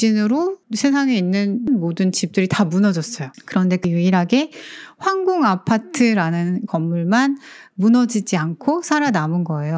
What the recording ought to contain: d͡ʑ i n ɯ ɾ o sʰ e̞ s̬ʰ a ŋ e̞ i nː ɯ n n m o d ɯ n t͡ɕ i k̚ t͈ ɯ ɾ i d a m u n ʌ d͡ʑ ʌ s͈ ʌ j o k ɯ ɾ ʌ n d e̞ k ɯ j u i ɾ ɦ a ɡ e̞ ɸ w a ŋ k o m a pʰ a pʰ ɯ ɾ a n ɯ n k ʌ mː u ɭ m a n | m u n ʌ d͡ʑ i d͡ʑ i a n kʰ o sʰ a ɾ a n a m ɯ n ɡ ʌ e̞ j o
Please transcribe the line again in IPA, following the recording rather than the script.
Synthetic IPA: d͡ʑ i n ɯ ɾ o sʰ e̞ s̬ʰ a ŋ e̞ i nː ɯ n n m o d ɯ n t͡ɕ i p̚ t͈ ɯ ɾ i t a m u n ʌ d͡ʑ ʌ s͈ ʌ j o k ɯ ɾ ʌ n d e̞ k ɯ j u i ɾ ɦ a ɡ e̞ ɸ w a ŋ ɡ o ŋ a pʰ a tʰ ɯ ɾ a n ɯ n k ʌ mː u ɭ m a n | m u n ʌ d͡ʑ i d͡ʑ i a n kʰ o sʰ a ɾ a n a m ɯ n ɡ ʌ e̞ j o